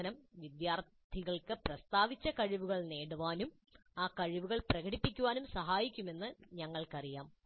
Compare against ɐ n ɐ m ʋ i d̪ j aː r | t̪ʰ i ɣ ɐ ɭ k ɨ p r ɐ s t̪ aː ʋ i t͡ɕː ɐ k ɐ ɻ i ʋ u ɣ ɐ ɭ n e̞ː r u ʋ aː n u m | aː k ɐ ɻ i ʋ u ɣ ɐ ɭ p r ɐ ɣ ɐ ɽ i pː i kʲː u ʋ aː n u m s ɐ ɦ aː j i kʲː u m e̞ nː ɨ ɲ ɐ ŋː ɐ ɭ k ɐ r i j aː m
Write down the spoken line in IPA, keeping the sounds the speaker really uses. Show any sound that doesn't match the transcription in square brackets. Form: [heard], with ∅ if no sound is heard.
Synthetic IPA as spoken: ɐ n ɐ m ʋ i d̪ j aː r | t̪ʰ i ɣ ɐ ɭ k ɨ p r ɐ s t̪ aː ʋ i t͡ɕː ɐ k ɐ ɻ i ʋ u ɣ ɐ ɭ n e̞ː [ɽ] u ʋ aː n u m | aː k ɐ ɻ i ʋ u ɣ ɐ ɭ p r ɐ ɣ ɐ ɽ i pː i kʲː u ʋ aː n u m s ɐ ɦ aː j i kʲː u m e̞ nː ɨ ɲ ɐ ŋː ɐ ɭ k ɐ r i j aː m